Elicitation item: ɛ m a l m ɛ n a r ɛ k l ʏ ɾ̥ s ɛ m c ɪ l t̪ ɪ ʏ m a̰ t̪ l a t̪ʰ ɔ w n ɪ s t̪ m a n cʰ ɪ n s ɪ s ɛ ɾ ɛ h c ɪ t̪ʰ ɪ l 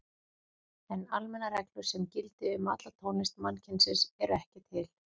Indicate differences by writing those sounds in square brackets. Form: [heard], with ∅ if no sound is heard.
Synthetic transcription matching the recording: ɛ [n] a l m ɛ n a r ɛ k l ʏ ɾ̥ s ɛ m c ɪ l t̪ ɪ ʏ m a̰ t̪ l a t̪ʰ [o] w n ɪ s t̪ m a n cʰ ɪ n s ɪ s ɛ ɾ ɛ h c ɪ t̪ʰ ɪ l